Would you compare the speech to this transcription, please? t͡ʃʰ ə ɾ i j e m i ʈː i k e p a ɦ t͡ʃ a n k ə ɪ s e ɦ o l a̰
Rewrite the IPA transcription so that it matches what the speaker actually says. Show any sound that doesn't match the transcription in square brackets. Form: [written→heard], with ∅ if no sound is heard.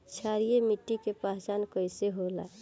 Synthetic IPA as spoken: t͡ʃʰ [ə→a] ɾ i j e m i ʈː i k e p a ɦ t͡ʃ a n k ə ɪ s e ɦ o l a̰